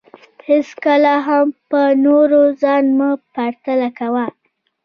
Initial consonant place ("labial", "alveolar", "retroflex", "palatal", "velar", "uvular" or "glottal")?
glottal